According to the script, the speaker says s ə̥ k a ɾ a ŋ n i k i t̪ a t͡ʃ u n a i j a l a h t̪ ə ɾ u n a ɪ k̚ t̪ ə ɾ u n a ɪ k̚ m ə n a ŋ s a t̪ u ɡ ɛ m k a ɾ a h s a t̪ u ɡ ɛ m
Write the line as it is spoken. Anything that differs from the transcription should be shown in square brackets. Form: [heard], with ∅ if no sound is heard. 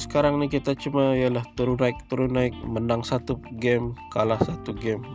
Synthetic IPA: s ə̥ k a ɾ a ŋ n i k i t̪ a t͡ʃ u [m] a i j a l a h t̪ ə ɾ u n a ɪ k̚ t̪ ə ɾ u n a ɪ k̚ m ə n a ŋ s a t̪ u ɡ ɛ m k a [l] a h s a t̪ u ɡ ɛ m